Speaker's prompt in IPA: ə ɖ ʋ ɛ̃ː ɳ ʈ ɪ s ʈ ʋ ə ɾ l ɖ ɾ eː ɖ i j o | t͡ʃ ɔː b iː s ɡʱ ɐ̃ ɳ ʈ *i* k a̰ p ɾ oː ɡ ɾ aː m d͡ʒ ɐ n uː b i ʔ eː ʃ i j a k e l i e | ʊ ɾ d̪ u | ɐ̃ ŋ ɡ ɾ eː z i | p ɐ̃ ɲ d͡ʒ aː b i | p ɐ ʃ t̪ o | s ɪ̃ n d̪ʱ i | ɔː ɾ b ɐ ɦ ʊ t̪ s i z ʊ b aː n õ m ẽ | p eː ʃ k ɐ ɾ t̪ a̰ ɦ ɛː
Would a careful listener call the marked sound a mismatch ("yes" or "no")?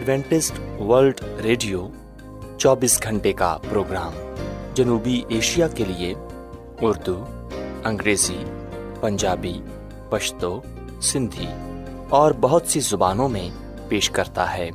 yes